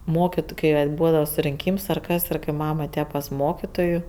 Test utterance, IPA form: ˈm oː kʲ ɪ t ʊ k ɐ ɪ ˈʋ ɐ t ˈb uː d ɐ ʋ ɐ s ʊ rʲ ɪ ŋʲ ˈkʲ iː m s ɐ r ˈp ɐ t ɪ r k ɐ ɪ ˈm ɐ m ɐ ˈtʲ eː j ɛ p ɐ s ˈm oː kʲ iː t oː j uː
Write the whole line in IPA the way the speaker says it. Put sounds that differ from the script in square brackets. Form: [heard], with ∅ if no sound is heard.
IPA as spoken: ˈm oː kʲ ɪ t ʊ k ɐ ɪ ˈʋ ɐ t ˈb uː d ɐ ʋ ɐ s ʊ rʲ ɪ ŋʲ ˈkʲ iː m s ɐ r [ˈk] ɐ [s] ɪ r k ɐ ɪ ˈm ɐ m ɐ ˈtʲ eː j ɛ p ɐ s ˈm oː kʲ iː t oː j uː

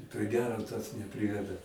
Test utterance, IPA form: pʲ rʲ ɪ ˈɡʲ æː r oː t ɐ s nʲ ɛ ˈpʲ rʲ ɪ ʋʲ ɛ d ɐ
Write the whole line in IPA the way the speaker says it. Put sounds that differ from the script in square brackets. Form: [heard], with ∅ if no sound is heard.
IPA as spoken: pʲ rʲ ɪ ˈɡʲ æː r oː t ɐ s nʲ ɛ ˈpʲ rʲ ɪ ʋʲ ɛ d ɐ

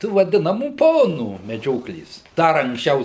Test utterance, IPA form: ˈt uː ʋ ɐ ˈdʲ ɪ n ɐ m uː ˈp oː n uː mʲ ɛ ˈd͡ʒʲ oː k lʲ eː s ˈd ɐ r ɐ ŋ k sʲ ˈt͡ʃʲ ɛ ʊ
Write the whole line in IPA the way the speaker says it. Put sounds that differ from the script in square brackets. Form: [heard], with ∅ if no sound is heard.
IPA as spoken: ˈt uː ʋ ɐ ˈdʲ ɪ n ɐ m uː ˈp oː n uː mʲ ɛ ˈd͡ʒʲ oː k lʲ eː s ˈd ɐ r ɐ ŋ k sʲ ˈt͡ʃʲ ɛ ʊ

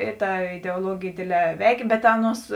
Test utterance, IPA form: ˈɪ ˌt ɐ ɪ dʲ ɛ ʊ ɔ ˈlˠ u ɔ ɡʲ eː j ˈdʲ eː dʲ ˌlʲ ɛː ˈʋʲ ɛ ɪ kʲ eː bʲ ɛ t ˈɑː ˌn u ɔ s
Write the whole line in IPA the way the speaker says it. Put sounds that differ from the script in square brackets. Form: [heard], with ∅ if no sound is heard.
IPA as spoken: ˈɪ ˌt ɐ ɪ dʲ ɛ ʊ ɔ ˈlˠ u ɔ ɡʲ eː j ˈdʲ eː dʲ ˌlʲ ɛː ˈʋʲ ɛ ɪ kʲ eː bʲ ɛ t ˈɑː ˌn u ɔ s

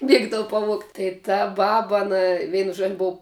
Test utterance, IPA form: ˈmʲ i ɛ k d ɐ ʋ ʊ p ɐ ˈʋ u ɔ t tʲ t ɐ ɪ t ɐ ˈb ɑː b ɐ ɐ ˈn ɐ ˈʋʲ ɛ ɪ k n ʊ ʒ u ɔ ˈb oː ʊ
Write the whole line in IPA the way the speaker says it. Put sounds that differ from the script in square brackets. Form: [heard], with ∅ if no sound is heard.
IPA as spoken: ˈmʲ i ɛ [ɡ] d ɐ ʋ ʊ p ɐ ˈʋ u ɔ [k] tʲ t ɐ ɪ t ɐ ˈb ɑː b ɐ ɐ ˈn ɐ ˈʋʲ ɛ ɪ [∅] n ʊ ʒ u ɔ ˈb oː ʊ

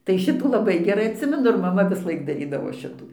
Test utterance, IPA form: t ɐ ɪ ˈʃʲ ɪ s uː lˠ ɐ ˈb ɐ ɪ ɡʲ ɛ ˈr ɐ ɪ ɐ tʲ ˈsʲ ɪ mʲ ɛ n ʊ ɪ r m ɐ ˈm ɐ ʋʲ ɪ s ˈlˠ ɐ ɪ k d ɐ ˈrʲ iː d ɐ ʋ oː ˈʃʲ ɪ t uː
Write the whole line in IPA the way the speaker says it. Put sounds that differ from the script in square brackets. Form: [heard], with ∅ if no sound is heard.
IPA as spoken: t ɐ ɪ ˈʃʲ ɪ [t] uː lˠ ɐ ˈb ɐ ɪ ɡʲ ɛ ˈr ɐ ɪ ɐ tʲ ˈsʲ ɪ mʲ ɛ n ʊ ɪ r m ɐ ˈm ɐ ʋʲ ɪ s ˈlˠ ɐ ɪ k d ɐ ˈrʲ iː d ɐ ʋ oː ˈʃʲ ɪ t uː

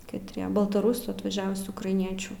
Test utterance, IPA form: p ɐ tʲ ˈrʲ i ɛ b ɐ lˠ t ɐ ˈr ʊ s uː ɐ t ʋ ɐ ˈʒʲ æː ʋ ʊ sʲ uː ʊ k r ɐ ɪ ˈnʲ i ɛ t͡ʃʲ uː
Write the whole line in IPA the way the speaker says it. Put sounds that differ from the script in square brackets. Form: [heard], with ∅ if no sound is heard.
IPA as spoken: [k] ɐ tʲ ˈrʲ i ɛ b ɐ lˠ t ɐ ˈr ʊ s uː ɐ t ʋ ɐ ˈʒʲ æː ʋ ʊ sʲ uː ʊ k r ɐ ɪ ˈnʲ i ɛ t͡ʃʲ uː

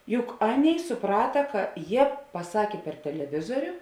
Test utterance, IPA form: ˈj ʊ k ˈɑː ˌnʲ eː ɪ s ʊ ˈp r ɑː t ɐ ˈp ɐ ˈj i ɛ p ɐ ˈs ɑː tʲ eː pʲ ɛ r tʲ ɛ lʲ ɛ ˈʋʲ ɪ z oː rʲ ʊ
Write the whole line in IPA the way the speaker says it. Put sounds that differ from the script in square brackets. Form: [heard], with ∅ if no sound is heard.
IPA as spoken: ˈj ʊ k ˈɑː ˌnʲ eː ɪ s ʊ ˈp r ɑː t ɐ [ˈk] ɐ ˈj i ɛ p ɐ ˈs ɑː [kʲ] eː pʲ ɛ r tʲ ɛ lʲ ɛ ˈʋʲ ɪ z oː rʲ ʊ

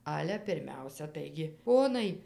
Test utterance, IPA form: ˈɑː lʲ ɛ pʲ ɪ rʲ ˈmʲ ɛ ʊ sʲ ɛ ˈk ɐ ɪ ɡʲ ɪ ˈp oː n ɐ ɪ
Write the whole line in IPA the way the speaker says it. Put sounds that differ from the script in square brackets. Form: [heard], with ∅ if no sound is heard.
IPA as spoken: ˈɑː lʲ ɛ pʲ ɪ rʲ ˈmʲ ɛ ʊ sʲ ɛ [ˈt] ɐ ɪ ɡʲ ɪ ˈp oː n ɐ ɪ

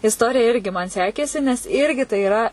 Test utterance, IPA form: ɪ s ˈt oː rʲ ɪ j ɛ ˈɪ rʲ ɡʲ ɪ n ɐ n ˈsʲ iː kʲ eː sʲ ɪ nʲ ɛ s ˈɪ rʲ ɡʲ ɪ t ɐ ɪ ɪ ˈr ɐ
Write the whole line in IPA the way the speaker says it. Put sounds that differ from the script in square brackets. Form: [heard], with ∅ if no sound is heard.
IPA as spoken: ɪ s ˈt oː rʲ ɪ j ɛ ˈɪ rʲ ɡʲ ɪ [m] ɐ n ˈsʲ [æː] kʲ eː sʲ ɪ nʲ ɛ s ˈɪ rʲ ɡʲ ɪ t ɐ ɪ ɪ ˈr ɐ

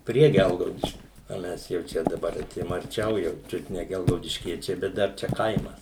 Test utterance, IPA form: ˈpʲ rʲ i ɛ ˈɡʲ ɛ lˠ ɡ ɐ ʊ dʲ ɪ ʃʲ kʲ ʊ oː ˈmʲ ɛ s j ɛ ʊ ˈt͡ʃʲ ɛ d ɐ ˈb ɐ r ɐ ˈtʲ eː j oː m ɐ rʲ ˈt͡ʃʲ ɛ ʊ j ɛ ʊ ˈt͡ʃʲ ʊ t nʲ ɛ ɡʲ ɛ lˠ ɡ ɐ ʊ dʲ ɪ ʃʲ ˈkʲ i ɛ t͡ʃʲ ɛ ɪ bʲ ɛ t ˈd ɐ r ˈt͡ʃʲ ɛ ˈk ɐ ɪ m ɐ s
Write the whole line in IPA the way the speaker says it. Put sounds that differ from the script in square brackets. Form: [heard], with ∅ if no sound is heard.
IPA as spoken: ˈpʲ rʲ i ɛ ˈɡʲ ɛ lˠ ɡ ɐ ʊ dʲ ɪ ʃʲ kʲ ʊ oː ˈmʲ ɛ s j ɛ ʊ ˈt͡ʃʲ ɛ d ɐ ˈb ɐ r ɐ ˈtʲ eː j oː m ɐ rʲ ˈt͡ʃʲ ɛ ʊ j ɛ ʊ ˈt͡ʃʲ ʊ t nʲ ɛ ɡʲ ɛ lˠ ɡ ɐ ʊ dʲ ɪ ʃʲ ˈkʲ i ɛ t͡ʃʲ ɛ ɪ bʲ ɛ t ˈd ɐ r ˈt͡ʃʲ ɛ ˈk ɐ ɪ m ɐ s

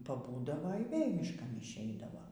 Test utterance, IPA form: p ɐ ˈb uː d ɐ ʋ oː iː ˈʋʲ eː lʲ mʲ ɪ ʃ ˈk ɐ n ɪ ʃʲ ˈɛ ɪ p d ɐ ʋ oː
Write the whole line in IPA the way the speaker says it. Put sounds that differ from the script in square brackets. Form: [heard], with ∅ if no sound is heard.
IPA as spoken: p ɐ ˈb uː d ɐ ʋ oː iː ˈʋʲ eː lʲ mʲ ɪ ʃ ˈk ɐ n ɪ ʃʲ ˈɛ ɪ [∅] d ɐ ʋ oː

